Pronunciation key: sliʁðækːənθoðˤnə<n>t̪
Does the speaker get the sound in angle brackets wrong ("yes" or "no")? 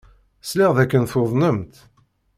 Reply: yes